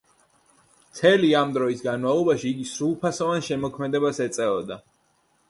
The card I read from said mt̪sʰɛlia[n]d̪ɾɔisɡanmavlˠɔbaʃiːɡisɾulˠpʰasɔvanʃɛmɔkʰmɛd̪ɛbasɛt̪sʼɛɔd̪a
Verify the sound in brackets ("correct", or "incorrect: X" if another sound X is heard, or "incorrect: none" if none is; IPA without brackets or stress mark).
incorrect: m